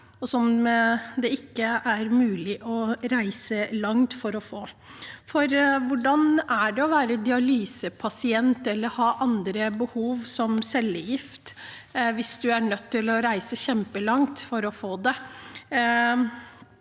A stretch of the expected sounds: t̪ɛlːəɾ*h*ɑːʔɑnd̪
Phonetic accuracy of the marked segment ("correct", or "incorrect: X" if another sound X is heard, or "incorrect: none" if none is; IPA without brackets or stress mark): correct